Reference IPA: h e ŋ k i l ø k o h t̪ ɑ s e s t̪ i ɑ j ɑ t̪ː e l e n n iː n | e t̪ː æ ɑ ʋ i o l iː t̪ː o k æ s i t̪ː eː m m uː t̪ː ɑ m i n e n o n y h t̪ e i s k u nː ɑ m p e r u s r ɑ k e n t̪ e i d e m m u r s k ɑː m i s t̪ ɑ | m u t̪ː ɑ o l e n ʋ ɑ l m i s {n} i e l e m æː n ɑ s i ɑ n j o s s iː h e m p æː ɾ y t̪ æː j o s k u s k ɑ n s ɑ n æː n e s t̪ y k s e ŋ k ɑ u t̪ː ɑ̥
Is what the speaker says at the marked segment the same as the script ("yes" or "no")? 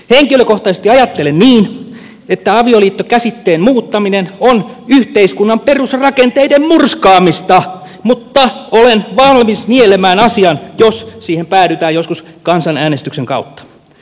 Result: yes